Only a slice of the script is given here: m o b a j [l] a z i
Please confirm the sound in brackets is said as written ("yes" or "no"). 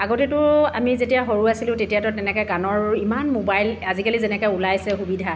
yes